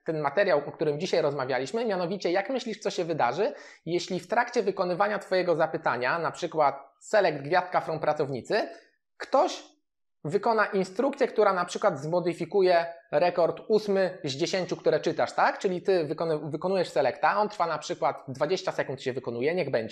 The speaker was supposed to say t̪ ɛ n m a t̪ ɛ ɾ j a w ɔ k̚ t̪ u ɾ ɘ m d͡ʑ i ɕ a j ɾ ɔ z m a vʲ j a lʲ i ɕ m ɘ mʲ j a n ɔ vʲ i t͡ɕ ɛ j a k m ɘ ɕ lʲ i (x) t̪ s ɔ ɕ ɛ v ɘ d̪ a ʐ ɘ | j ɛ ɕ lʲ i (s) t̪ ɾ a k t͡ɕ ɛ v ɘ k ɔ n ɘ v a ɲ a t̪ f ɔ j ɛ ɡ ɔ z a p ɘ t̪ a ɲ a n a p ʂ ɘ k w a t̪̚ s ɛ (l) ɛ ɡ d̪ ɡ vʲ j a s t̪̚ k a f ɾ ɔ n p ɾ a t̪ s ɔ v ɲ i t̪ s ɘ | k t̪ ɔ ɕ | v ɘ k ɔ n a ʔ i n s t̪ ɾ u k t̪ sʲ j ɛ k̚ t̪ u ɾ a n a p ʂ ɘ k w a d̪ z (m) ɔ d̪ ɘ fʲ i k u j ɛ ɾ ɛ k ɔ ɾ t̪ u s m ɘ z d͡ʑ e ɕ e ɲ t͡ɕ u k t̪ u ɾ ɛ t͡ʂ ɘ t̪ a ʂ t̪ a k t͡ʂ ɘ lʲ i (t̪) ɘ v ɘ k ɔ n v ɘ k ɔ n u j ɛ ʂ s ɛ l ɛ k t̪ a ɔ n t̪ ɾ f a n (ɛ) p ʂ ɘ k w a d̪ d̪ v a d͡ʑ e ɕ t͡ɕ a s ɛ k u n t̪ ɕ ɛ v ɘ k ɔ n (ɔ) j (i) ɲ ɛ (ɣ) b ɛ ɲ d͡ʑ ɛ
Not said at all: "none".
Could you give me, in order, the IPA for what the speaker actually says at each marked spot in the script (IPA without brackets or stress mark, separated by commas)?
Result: ʂ, f, l, m, t̪, a, u, ɛ, ɣ